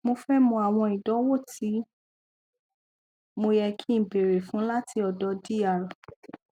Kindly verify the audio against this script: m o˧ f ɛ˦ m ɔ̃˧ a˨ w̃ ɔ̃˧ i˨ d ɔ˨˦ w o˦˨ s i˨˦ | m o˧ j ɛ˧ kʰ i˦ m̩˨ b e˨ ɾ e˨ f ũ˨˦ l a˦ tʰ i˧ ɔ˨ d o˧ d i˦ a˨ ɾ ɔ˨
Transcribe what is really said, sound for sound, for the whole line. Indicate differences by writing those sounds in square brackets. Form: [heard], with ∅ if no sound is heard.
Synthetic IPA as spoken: m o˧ f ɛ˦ m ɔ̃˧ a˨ w̃ ɔ̃˧ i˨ d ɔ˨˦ w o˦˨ [t] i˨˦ | m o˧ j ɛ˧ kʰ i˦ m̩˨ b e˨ ɾ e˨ f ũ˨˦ l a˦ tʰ i˧ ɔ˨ d [ɔ˧] d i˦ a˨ ɾ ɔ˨

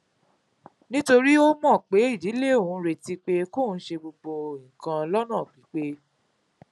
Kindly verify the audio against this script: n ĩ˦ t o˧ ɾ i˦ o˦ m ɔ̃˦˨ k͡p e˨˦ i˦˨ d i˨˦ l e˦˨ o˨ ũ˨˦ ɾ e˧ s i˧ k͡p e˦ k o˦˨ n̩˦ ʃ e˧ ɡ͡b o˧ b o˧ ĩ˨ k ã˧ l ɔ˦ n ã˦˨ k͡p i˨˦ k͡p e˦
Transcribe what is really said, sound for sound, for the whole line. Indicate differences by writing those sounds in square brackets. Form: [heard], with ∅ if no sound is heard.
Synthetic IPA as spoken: n ĩ˦ t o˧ ɾ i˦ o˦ m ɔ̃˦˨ k͡p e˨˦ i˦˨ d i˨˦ l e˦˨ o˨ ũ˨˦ ɾ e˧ [t] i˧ k͡p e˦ k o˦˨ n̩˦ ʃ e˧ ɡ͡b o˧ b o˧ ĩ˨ k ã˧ l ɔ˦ n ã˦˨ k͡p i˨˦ k͡p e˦

